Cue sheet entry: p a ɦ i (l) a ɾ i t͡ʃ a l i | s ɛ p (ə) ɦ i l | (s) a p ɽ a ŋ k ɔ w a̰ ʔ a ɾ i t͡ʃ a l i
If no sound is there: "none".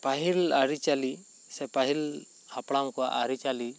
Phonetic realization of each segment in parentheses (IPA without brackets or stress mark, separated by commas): l, a, h